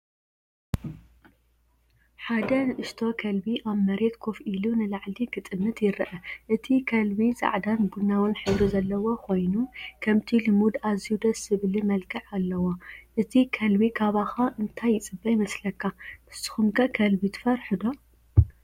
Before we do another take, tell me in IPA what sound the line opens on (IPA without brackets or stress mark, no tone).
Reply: ħ